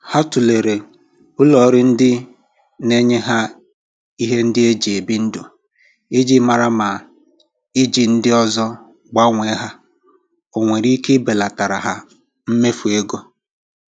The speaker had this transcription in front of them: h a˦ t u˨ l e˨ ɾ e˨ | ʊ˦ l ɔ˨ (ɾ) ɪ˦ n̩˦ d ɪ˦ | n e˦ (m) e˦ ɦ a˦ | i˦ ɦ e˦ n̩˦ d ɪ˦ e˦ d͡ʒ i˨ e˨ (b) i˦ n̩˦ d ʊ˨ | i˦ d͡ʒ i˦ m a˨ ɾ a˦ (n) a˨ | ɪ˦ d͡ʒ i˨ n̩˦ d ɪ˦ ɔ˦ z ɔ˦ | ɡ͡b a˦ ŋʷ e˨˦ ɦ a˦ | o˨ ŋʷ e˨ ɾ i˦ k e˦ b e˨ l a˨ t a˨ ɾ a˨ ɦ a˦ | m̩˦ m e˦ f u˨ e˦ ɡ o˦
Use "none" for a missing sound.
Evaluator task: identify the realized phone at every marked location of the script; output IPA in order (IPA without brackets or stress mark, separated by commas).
ɾ, ɲ, b, m